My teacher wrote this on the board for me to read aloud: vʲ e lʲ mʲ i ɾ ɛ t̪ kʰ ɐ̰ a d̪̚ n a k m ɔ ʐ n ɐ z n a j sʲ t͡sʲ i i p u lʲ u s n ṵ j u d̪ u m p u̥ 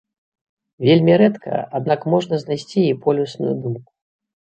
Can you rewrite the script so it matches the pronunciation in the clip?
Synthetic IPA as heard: vʲ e lʲ mʲ i ɾ ɛ t̪ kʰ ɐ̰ a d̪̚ n a k m ɔ ʐ n ɐ z n a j sʲ t͡sʲ i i p ɔ lʲ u s n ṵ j u d̪ u m k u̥